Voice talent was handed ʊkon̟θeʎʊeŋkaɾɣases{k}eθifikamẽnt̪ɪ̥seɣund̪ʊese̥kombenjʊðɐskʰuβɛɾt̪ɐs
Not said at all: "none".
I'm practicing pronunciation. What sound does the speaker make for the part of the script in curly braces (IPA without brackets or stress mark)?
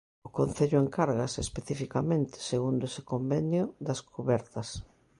p